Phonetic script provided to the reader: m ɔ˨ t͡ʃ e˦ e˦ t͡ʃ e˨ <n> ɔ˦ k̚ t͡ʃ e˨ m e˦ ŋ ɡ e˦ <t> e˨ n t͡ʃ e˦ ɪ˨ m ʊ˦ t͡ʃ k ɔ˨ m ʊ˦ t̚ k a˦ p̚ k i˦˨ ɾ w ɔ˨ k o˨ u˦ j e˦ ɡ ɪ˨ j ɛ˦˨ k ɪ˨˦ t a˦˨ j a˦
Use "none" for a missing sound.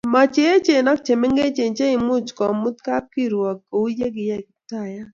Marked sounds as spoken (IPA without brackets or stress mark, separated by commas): n, t͡ʃ